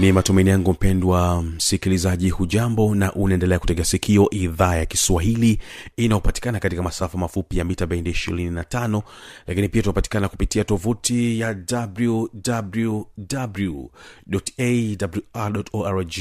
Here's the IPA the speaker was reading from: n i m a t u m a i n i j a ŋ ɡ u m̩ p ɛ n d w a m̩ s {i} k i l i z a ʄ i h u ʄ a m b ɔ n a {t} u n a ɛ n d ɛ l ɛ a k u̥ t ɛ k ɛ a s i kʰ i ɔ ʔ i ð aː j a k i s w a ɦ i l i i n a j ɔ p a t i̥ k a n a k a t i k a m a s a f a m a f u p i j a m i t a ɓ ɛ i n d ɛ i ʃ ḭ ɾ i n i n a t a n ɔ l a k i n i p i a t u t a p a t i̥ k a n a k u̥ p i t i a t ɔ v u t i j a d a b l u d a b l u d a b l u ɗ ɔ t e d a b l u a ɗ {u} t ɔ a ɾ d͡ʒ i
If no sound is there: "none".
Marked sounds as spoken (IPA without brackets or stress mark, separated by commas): i, ʔ, ɔ